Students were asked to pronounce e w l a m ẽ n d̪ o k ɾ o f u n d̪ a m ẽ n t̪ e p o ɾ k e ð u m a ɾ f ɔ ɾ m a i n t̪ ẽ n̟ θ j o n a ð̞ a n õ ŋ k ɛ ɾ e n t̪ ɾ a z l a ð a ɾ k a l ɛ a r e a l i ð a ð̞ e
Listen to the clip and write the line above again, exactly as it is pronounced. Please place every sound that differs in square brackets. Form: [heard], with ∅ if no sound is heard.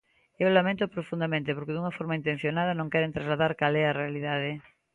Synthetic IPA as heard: e w l a m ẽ n [t̪] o [p] ɾ o f u n d̪ a m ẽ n t̪ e p o ɾ k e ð u [ŋ] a [∅] f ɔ ɾ m a i n t̪ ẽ n̟ θ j o n a ð̞ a n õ ŋ k ɛ ɾ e n t̪ ɾ a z l a ð a ɾ k a l ɛ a r e a l i ð a ð̞ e

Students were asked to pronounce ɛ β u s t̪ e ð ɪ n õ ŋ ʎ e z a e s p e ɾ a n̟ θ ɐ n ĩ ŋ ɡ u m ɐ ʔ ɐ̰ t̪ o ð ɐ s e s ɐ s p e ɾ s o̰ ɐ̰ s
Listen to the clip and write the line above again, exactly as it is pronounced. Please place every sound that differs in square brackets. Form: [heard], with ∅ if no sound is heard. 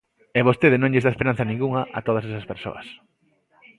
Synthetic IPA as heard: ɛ β [o] s t̪ e ð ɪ n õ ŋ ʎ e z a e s p e ɾ a n̟ θ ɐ n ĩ ŋ ɡ u [ŋ] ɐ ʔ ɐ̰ t̪ o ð ɐ s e s ɐ s p e ɾ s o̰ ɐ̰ s

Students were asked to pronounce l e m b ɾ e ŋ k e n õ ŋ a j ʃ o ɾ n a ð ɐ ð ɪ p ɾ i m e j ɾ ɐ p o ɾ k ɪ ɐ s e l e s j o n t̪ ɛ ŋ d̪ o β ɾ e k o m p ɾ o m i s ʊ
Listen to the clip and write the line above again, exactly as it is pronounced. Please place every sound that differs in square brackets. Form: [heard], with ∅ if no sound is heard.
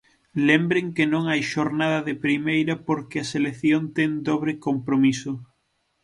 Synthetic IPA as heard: l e m b ɾ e ŋ k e n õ ŋ a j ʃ o ɾ n a ð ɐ ð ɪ p ɾ i m e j ɾ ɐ p o ɾ k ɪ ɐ s e l e [θ] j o n t̪ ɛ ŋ d̪ o β ɾ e k o m p ɾ o m i s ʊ

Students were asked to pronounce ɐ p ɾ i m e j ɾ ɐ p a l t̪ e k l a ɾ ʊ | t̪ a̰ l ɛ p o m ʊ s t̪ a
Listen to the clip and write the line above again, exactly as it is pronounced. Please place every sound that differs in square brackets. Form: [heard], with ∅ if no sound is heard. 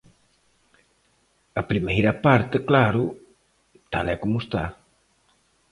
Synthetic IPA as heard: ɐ p ɾ i m e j ɾ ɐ p a [ɾ] t̪ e k l a ɾ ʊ | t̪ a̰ l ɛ [k] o m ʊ s t̪ a

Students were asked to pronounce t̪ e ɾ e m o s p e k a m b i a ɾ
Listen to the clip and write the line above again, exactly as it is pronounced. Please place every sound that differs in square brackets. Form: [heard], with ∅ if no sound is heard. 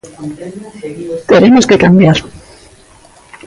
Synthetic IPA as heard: t̪ e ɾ e m o s [k] e k a m b [j] a ɾ

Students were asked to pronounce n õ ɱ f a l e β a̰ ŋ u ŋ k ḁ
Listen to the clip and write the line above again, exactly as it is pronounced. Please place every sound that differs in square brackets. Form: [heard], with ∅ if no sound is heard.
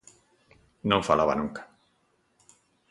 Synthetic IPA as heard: n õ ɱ f a l [a] β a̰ [n] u ŋ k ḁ

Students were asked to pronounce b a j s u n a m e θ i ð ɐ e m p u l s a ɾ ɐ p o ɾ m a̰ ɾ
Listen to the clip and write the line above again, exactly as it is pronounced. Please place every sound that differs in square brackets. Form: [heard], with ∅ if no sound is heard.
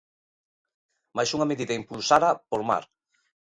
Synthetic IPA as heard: [m] a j s u [ŋ] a m e [ð] i ð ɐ [i] m p u l s a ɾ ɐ p o ɾ m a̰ ɾ

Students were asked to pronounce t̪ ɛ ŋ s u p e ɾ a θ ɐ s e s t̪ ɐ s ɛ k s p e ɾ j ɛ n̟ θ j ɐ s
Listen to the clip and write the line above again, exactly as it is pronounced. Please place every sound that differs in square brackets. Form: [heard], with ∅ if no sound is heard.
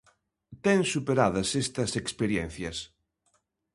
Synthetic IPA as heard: t̪ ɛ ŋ s u p e ɾ a [ð] ɐ s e s t̪ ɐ s [e] k s p e ɾ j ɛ n̟ θ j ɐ s

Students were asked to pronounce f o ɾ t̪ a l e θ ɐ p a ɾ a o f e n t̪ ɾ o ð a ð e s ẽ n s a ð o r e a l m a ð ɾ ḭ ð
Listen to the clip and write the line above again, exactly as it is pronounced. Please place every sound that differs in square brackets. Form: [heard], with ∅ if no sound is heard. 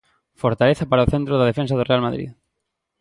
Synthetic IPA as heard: f o ɾ t̪ a l e θ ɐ p a ɾ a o [θ] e n t̪ ɾ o ð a ð e [f] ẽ n s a ð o r e a l m a ð ɾ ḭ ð

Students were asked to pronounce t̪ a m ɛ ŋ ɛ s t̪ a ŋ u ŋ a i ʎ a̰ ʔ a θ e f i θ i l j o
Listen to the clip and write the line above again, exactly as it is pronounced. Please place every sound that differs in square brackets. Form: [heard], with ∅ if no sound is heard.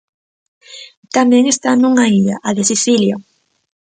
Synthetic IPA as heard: t̪ a m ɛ ŋ [e] s t̪ a [n] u ŋ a i ʎ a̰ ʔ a [ð] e [s] i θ i l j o

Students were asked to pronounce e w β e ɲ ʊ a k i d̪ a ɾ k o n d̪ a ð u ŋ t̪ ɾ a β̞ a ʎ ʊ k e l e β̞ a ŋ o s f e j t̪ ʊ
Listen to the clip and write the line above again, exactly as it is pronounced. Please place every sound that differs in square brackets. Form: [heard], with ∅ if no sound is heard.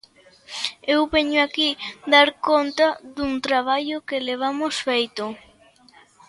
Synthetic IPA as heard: e w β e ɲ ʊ a k i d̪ a ɾ k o n [t̪] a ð u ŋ t̪ ɾ a β̞ a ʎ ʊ k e l e β̞ a [m] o s f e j t̪ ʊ

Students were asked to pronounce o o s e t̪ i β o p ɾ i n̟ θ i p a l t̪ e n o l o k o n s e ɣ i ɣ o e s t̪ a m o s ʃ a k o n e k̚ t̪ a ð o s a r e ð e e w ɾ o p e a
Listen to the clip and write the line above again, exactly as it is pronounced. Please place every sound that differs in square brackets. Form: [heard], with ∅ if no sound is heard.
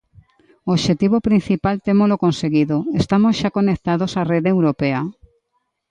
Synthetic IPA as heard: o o [ʃ] e t̪ i β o p ɾ i n̟ θ i p a l t̪ e [m] o l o k o n s e ɣ i [ð] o e s t̪ a m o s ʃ a k o n e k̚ t̪ a ð o s a r e ð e e w ɾ o p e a

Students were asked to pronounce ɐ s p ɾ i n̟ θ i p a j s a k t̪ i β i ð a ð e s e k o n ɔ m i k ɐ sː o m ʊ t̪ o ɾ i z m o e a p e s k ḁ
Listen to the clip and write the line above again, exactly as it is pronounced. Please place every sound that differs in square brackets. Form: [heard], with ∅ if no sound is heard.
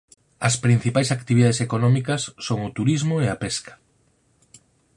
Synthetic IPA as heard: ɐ s p ɾ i n̟ θ i p a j s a k t̪ i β i ð a ð e s e k o n ɔ m i k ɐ sː o [ŋ] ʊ t̪ [u] ɾ i z m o e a p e s k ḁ

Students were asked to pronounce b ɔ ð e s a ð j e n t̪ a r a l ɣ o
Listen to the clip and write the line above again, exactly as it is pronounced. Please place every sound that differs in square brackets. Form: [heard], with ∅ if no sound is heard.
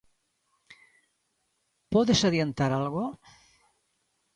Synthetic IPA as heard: [p] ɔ ð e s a ð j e n t̪ a [ɾ] a l ɣ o

